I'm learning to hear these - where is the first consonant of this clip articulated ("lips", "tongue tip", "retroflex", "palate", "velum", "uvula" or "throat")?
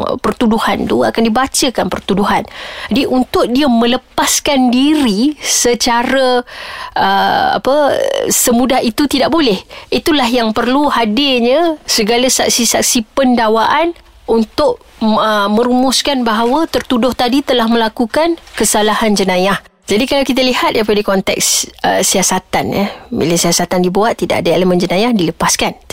lips